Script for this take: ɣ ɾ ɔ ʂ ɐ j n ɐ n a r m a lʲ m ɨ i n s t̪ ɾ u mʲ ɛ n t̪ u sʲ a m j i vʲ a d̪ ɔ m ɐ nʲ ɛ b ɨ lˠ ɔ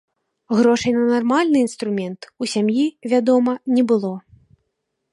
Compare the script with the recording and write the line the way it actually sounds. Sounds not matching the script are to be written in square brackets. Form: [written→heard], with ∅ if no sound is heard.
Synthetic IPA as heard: ɣ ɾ ɔ ʂ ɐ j n ɐ n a r m a lʲ [m→n] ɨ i n s t̪ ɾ u mʲ ɛ n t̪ u sʲ a m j i vʲ a d̪ ɔ m ɐ nʲ ɛ b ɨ lˠ ɔ